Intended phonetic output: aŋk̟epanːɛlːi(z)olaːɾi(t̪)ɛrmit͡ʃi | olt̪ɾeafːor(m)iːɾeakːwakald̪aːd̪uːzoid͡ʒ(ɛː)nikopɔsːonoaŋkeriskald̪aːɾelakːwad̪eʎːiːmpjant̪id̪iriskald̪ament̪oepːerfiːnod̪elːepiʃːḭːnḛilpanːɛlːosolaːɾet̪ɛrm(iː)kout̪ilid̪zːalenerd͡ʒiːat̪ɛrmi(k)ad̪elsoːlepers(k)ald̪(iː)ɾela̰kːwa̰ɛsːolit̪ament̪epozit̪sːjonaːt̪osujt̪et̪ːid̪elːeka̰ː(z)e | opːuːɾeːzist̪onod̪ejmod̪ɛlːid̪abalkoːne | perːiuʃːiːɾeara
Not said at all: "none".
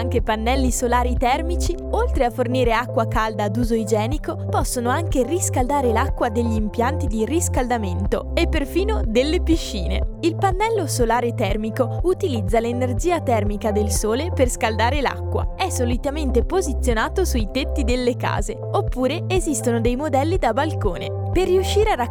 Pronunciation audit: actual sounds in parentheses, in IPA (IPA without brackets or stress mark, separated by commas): s, t̪, n, ɛː, i, k, k, aː, z